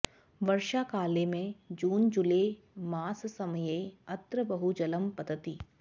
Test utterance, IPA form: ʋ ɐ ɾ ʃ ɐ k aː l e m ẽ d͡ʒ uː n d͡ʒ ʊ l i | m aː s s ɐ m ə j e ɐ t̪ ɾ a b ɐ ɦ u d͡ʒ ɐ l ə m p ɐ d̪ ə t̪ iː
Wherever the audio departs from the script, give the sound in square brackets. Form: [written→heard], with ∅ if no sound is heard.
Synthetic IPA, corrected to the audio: ʋ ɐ ɾ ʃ [ɐ→a] k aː l e m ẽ d͡ʒ uː n d͡ʒ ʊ l [i→e] | m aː s s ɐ m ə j e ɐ t̪ ɾ [a→ə] b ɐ ɦ u d͡ʒ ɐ l ə m p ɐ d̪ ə t̪ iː

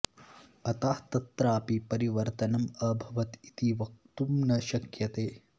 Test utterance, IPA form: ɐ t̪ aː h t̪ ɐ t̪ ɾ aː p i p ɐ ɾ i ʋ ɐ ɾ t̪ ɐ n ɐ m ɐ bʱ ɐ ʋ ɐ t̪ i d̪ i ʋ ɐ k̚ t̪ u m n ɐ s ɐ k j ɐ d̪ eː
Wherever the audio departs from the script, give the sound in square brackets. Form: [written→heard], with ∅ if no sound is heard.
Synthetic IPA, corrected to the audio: ɐ t̪ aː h t̪ ɐ t̪ ɾ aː p i p ɐ ɾ i ʋ ɐ ɾ t̪ ɐ n ɐ m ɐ bʱ ɐ ʋ ɐ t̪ i [d̪→t̪] i ʋ ɐ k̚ t̪ u m n ɐ [s→ʃ] ɐ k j ɐ [d̪→t̪] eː

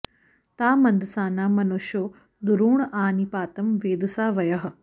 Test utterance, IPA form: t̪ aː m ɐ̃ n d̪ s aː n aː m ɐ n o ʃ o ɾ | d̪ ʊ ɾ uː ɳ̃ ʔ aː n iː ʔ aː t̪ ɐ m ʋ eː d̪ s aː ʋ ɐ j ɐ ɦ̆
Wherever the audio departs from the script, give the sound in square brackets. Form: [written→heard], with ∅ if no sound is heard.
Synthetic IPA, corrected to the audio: t̪ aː m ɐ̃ n d̪ s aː n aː m ɐ n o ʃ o [ɾ→∅] | d̪ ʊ ɾ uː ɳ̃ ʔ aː n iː [ʔ→p] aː t̪ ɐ m ʋ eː d̪ s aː ʋ ɐ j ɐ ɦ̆

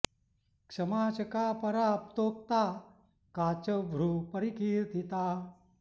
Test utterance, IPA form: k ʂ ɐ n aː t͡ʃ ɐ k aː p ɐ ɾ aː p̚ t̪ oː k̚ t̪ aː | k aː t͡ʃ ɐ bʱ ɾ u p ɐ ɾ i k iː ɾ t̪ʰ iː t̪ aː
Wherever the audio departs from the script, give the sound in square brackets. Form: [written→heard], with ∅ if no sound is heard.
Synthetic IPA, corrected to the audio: k ʂ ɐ [n→m] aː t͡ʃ ɐ k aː p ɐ ɾ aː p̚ t̪ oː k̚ t̪ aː | k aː t͡ʃ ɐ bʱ ɾ u p ɐ ɾ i k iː ɾ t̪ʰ [iː→i] t̪ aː

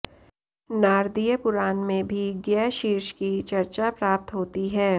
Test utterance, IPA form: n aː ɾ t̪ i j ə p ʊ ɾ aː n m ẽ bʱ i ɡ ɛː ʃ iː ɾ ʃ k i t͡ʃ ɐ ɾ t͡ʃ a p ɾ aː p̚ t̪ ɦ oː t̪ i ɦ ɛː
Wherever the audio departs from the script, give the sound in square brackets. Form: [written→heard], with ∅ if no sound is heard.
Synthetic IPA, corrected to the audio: n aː ɾ [t̪→d̪] i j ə p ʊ ɾ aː n m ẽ bʱ i ɡ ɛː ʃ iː ɾ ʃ k i t͡ʃ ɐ ɾ t͡ʃ a p ɾ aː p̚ t̪ ɦ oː t̪ i ɦ ɛː

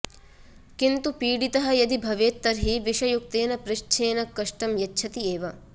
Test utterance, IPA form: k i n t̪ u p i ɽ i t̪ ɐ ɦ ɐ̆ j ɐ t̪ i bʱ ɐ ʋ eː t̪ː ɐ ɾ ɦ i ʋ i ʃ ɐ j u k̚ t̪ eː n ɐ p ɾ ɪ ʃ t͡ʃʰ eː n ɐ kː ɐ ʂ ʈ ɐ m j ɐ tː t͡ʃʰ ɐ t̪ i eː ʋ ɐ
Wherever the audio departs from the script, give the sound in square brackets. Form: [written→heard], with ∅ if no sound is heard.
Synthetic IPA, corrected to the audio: k i n t̪ u p [i→iː] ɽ i t̪ ɐ ɦ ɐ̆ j ɐ [t̪→d̪] i bʱ ɐ ʋ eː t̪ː ɐ ɾ ɦ i ʋ i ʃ ɐ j u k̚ t̪ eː n ɐ p ɾ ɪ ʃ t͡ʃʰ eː n ɐ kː ɐ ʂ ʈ ɐ m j ɐ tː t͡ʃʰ ɐ t̪ i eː ʋ ɐ

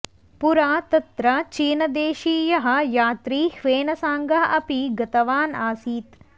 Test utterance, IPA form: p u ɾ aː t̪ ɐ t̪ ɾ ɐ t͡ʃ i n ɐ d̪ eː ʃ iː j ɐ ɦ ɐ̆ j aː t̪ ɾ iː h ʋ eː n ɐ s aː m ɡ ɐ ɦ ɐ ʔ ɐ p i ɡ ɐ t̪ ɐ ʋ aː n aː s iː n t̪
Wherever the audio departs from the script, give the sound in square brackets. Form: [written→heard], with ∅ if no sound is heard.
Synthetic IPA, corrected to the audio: p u ɾ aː t̪ ɐ t̪ ɾ ɐ t͡ʃ [i→iː] n ɐ d̪ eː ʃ iː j ɐ ɦ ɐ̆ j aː t̪ ɾ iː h ʋ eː n ɐ s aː [m→ŋ] ɡ ɐ ɦ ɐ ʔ ɐ p i ɡ ɐ t̪ ɐ ʋ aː n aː s iː [n→∅] t̪

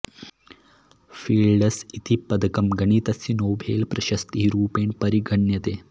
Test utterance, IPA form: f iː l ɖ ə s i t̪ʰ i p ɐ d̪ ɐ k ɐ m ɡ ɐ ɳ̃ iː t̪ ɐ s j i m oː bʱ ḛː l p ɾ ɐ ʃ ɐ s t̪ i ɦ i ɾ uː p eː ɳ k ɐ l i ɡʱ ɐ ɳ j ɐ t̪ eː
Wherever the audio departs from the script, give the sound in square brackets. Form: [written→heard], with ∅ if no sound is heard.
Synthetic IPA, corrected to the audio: f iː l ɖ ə s i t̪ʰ i p ɐ d̪ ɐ k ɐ m ɡ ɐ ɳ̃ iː t̪ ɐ s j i [m→n] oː bʱ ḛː l p ɾ ɐ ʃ ɐ s t̪ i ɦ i ɾ uː p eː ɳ [k→p] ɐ [l→ɾ] i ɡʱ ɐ ɳ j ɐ t̪ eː

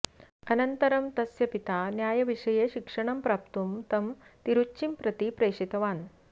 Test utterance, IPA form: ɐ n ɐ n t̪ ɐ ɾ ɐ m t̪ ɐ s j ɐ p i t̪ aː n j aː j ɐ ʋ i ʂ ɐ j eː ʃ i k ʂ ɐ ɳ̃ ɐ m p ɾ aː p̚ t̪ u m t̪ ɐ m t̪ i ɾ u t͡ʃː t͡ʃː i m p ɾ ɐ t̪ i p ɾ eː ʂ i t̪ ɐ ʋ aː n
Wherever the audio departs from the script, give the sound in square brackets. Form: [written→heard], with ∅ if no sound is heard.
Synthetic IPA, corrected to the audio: ɐ n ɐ n t̪ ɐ ɾ ɐ m t̪ ɐ s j ɐ p i t̪ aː n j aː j ɐ ʋ i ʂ ɐ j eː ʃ i k ʂ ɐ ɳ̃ ɐ m p ɾ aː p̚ t̪ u m t̪ ɐ m t̪ i ɾ u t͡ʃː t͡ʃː i m p ɾ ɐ t̪ i p ɾ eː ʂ i t̪ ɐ ʋ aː n

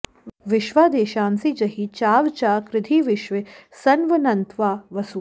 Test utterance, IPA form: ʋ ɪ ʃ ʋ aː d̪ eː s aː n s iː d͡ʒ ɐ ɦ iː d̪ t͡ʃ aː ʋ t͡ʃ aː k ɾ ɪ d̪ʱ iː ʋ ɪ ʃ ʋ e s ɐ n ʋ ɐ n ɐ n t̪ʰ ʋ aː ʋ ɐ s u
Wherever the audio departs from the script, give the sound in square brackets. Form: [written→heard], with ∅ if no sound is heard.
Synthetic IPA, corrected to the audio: ʋ ɪ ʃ ʋ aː d̪ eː [s→ʃ] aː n s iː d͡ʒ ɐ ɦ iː [d̪→∅] t͡ʃ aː ʋ t͡ʃ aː k ɾ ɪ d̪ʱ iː ʋ ɪ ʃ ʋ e s ɐ n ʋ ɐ n ɐ n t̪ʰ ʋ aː ʋ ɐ s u

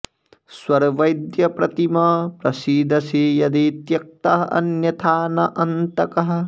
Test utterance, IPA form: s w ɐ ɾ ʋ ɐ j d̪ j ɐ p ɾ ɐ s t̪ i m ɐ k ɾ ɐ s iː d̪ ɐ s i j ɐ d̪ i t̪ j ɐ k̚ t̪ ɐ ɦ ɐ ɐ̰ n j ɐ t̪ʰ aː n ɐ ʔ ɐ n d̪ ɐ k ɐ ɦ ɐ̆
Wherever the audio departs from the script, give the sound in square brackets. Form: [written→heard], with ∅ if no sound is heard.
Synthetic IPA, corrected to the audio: s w ɐ ɾ ʋ ɐ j d̪ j ɐ p ɾ ɐ [s→∅] t̪ i m ɐ [k→p] ɾ ɐ s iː d̪ ɐ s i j ɐ d̪ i t̪ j ɐ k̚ t̪ ɐ ɦ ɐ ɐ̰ n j ɐ t̪ʰ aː n ɐ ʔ ɐ n [d̪→t̪] ɐ k ɐ ɦ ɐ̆

